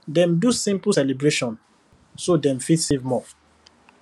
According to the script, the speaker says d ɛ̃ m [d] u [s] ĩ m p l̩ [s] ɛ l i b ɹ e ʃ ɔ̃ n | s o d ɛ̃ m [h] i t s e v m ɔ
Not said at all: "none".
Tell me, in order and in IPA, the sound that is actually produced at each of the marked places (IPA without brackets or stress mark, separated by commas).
d, s, s, f